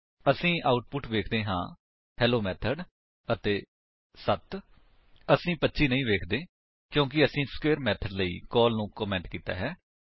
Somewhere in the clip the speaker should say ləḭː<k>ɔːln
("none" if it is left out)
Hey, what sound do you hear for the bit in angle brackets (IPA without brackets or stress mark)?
k